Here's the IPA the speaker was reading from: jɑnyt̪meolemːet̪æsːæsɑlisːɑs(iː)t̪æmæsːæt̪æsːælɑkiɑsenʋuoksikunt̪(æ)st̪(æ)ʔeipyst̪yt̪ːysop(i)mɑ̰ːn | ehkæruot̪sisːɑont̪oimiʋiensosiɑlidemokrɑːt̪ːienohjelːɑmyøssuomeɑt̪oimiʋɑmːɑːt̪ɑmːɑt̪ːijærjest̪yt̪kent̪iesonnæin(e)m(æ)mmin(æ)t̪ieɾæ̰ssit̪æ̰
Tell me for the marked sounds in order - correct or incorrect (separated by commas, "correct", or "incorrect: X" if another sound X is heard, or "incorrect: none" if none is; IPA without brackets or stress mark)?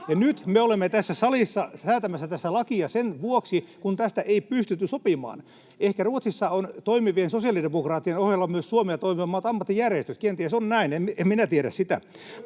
incorrect: æː, correct, correct, correct, correct, incorrect: e, correct